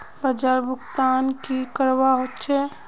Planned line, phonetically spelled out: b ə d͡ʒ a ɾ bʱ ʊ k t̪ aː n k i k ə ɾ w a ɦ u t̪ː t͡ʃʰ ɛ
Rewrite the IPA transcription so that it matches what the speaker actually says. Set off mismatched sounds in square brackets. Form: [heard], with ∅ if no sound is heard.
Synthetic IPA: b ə d͡ʒ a ɾ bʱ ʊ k t̪ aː n k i k ə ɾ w a ɦ [o] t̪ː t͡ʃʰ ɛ